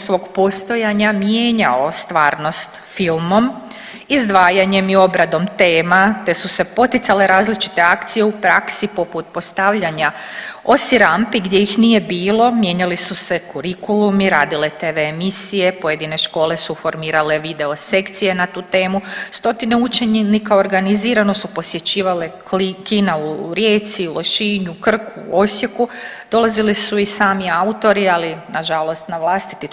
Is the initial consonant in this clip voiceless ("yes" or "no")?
yes